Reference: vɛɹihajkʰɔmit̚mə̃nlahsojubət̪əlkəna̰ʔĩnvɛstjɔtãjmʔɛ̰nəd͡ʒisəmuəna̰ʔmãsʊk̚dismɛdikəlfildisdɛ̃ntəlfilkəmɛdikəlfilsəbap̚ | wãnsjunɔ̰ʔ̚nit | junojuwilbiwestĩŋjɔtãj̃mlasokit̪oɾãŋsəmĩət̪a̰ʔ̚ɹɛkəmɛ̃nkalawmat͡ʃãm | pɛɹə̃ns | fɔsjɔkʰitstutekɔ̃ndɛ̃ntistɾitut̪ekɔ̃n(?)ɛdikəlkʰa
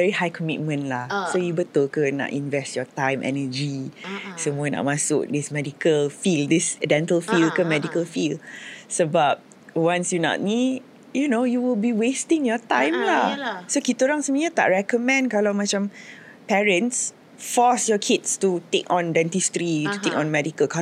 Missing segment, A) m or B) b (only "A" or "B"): A